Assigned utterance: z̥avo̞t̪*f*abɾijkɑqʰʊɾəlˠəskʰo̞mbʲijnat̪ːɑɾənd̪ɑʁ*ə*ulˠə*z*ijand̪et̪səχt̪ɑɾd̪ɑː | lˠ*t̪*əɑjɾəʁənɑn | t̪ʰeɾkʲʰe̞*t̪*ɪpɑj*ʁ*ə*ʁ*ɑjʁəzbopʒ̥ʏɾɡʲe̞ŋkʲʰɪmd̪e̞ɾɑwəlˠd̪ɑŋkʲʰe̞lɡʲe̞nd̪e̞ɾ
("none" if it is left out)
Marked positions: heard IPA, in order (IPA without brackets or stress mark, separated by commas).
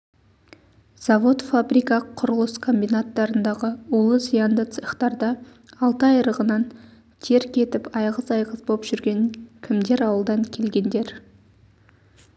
f, ə, z, t̪, t̪, ʁ, z